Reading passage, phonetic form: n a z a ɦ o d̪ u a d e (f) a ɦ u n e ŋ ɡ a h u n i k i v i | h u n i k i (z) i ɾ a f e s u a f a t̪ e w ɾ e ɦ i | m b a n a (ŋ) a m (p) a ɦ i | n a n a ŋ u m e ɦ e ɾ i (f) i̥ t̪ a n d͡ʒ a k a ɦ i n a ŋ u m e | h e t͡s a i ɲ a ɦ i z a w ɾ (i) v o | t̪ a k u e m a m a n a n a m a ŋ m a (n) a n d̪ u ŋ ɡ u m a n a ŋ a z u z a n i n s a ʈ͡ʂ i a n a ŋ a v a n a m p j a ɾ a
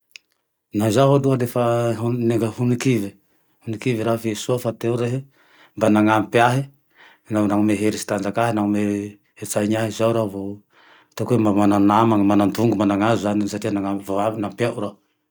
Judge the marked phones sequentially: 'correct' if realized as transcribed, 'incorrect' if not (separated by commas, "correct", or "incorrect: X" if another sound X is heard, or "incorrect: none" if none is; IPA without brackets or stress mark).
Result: correct, incorrect: v, correct, correct, incorrect: s, incorrect: a, correct